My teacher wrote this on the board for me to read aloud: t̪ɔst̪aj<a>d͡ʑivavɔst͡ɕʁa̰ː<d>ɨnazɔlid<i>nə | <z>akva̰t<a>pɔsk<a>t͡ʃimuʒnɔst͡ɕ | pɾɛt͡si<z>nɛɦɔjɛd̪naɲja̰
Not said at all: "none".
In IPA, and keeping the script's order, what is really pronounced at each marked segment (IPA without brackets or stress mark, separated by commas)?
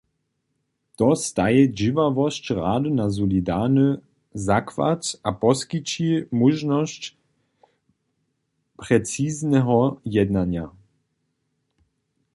ɛ, d, a, z, a, i, z